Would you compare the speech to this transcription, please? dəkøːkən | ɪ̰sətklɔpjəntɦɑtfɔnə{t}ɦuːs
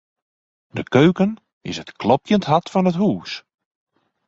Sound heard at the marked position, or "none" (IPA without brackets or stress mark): t